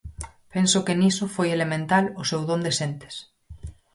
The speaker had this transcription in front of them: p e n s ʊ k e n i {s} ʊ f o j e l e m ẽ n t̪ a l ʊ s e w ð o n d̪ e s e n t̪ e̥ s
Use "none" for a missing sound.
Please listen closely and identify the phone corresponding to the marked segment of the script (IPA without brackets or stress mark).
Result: s